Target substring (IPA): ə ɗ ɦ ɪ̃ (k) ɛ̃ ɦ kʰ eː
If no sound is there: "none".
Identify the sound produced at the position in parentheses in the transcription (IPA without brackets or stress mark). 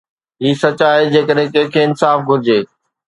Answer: k